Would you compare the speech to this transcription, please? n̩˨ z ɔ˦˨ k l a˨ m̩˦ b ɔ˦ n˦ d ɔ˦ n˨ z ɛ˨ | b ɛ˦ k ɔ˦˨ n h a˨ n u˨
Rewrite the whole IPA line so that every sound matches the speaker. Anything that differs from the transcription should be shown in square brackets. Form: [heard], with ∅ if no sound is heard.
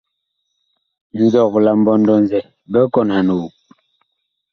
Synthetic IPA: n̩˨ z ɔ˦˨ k l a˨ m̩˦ b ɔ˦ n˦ d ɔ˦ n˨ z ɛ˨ | b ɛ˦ k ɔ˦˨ n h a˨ n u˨